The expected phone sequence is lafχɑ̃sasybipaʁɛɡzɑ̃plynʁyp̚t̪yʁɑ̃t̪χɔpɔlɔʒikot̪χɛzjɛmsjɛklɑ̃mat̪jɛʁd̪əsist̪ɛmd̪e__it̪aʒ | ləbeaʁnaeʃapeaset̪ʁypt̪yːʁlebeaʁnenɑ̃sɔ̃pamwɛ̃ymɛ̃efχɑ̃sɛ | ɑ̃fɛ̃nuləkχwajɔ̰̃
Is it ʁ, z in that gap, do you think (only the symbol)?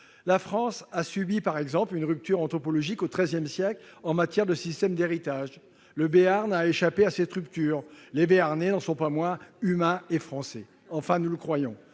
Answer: ʁ